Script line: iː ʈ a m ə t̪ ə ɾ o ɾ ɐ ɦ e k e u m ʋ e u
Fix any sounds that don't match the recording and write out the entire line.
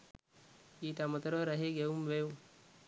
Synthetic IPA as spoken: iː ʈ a m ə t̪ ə ɾ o ɾ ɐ ɦ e ɡ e u m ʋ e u